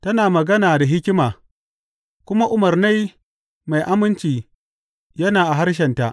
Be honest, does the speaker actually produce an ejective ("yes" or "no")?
no